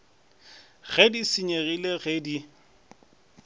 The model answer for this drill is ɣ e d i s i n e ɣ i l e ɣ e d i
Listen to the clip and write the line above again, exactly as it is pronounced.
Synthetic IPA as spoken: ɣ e d i s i ɲ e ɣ i l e ɣ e d i